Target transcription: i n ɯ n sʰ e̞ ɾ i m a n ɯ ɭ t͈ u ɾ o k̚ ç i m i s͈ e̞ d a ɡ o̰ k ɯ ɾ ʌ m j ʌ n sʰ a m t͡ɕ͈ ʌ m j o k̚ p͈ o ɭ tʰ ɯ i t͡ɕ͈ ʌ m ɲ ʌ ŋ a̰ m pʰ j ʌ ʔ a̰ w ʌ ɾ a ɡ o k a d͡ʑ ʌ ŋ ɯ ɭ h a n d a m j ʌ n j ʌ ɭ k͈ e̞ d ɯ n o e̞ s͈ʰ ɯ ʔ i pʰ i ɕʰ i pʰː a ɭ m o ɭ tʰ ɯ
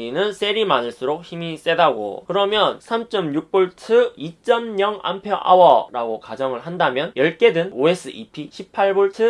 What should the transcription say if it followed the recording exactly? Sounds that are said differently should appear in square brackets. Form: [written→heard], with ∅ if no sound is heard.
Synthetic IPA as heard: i n ɯ n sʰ e̞ ɾ i m a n ɯ ɭ [t͈→s͈] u ɾ o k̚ ç i m i s͈ e̞ d a ɡ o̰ k ɯ ɾ ʌ m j ʌ n sʰ a m t͡ɕ͈ ʌ m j [o→u] k̚ p͈ o ɭ tʰ ɯ i t͡ɕ͈ ʌ m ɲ ʌ ŋ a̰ m pʰ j ʌ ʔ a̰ w ʌ ɾ a ɡ o k a d͡ʑ ʌ ŋ ɯ ɭ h a n d a m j ʌ n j ʌ ɭ k͈ e̞ d ɯ n o e̞ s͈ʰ ɯ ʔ i pʰ i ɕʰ i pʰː a ɭ [m→b] o ɭ tʰ ɯ